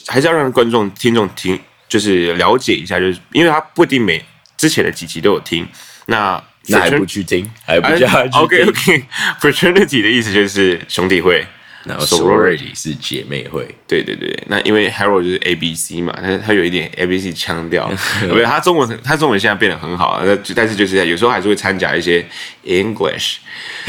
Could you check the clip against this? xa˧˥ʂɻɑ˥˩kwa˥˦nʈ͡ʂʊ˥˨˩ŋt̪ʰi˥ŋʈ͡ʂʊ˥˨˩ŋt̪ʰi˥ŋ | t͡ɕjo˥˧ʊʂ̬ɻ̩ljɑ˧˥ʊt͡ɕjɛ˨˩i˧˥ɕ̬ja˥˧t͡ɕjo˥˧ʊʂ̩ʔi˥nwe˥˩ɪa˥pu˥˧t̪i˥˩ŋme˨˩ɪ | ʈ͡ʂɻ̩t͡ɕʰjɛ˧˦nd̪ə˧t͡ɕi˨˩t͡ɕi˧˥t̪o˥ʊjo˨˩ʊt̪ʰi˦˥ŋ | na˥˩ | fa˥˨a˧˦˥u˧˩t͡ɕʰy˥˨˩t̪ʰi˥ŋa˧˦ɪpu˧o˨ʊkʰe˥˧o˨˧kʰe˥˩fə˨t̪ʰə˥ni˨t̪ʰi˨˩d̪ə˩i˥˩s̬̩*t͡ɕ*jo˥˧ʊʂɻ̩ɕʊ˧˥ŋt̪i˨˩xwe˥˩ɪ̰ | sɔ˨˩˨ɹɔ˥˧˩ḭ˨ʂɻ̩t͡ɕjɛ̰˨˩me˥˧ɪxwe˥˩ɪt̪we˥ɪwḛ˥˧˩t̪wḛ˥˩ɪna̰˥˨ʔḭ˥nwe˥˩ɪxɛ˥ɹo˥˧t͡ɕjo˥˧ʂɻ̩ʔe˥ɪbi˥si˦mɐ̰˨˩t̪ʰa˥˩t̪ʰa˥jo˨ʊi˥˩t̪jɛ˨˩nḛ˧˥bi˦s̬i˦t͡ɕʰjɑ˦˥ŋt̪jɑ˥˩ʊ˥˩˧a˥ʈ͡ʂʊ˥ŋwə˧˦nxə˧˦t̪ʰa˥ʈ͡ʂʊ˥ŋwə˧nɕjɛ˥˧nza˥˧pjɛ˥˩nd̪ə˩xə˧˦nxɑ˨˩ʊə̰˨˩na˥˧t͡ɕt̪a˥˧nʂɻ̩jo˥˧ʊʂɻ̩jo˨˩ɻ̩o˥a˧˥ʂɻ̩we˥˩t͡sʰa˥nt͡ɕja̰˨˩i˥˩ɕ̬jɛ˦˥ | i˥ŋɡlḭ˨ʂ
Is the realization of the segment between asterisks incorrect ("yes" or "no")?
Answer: no